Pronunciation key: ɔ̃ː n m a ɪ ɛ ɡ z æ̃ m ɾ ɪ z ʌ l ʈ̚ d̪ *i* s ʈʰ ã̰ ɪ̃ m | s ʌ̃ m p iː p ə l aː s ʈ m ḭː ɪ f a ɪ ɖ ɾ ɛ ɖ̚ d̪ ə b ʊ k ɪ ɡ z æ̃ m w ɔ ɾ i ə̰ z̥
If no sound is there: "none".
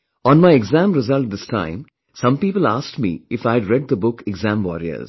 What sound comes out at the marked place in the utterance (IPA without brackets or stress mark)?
ɪ